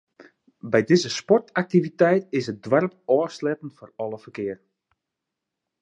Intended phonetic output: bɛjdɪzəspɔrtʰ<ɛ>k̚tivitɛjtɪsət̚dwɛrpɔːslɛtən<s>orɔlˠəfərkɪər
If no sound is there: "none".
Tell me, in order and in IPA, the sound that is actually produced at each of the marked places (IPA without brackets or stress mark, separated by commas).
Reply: a, f